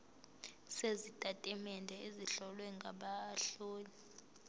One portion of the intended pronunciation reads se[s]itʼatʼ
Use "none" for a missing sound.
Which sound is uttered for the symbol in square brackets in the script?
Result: z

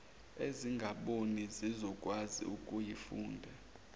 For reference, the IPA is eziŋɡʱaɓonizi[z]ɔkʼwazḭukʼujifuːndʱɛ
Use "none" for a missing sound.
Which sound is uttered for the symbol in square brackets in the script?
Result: z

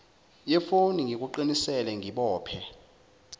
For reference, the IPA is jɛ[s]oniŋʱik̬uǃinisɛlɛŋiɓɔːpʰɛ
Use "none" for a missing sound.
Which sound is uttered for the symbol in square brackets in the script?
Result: f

